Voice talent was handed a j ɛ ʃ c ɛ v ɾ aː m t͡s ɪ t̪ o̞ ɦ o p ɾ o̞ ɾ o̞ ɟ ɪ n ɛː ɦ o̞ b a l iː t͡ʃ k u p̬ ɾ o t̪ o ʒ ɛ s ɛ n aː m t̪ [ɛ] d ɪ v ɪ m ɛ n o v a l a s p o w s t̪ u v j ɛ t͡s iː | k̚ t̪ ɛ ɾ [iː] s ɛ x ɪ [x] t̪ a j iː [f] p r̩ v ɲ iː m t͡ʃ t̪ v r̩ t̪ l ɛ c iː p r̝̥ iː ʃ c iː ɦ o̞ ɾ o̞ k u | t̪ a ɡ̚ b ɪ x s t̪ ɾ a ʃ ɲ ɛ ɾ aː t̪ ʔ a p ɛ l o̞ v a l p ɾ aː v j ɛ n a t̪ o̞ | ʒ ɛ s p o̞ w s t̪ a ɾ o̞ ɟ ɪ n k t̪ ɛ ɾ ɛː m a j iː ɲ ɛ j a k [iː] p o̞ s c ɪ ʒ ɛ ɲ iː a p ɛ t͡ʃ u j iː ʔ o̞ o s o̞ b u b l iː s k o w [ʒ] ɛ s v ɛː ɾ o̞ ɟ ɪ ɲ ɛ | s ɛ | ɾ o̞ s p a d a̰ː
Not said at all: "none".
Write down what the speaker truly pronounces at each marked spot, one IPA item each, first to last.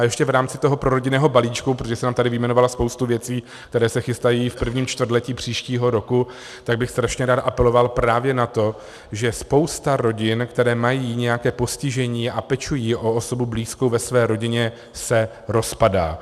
a, ɛː, s, f, ɛː, v

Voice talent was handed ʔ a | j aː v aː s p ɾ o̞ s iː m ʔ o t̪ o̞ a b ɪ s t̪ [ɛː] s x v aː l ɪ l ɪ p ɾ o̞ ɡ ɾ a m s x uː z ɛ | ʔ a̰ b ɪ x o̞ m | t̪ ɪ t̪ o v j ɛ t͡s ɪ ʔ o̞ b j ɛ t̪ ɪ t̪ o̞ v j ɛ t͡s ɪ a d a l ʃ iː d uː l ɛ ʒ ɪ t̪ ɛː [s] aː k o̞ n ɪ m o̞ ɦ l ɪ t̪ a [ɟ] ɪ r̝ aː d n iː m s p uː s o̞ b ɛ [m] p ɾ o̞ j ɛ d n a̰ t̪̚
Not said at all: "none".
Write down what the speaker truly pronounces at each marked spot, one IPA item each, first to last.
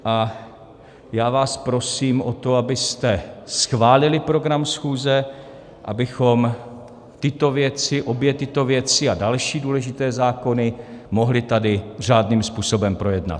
ɛ, z, d, m

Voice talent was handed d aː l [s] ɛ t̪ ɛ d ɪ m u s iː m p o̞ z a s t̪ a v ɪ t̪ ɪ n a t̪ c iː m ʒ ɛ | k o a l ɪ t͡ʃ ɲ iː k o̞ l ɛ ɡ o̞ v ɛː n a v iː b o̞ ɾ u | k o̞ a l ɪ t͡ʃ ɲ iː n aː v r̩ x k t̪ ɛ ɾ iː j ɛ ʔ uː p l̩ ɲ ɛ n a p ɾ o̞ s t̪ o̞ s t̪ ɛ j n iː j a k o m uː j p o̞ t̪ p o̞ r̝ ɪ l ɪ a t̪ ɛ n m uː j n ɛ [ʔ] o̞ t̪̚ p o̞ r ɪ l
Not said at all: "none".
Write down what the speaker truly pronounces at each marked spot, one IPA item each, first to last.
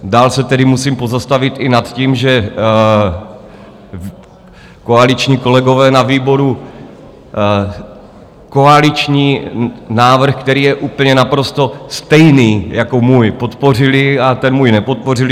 s, p

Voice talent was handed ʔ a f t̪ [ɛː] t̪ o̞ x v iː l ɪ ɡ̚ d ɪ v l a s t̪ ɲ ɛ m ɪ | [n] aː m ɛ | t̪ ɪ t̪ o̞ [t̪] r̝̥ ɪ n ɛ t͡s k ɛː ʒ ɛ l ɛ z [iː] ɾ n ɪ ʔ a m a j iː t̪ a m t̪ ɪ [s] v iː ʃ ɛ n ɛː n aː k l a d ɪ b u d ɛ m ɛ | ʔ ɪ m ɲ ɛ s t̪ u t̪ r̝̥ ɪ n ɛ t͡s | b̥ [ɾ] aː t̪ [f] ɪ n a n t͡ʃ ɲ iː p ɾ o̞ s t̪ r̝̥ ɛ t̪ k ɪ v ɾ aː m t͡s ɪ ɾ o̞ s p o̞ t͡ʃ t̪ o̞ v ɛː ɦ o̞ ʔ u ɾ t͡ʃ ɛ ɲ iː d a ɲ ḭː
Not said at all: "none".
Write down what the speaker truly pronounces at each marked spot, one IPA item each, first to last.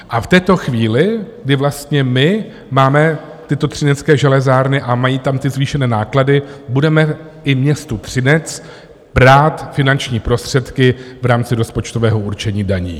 ɛː, m, t̪, aː, z, ɾ, f

